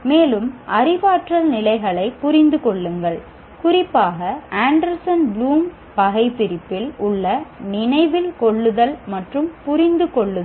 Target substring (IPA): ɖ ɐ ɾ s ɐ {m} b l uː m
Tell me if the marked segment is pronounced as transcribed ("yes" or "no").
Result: no